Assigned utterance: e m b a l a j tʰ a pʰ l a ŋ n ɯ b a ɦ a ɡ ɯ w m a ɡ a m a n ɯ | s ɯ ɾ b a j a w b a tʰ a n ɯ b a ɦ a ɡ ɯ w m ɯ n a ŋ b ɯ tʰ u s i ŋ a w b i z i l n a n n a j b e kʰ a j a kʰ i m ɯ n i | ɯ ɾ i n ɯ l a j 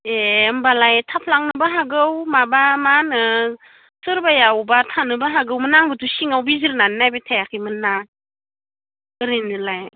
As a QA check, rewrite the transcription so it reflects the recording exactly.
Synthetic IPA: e m b a l a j tʰ a pʰ l a ŋ n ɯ b a ɦ a ɡ ɯ w m a b a m a n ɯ | s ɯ ɾ b a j a w b a tʰ a n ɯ b a ɦ a ɡ ɯ w m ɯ n a ŋ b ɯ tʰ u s i ŋ a w b i z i ɾ n a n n a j b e tʰ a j a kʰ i m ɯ n a | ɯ ɾ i n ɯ l a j